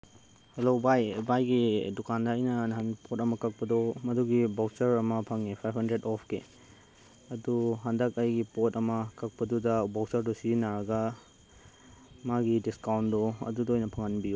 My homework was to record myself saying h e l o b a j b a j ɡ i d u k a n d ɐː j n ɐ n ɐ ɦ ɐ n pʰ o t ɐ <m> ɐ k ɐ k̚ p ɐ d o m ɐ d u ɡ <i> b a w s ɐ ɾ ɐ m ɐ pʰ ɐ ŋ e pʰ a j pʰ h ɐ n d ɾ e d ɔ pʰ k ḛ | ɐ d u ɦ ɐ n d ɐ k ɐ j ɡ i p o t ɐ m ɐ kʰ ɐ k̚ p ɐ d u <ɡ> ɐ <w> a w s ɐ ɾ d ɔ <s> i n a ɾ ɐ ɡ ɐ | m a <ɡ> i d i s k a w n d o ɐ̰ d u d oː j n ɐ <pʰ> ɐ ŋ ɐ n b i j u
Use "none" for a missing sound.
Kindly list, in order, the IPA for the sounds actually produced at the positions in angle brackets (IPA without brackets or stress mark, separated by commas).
m, i, d, b, s, ɡ, pʰ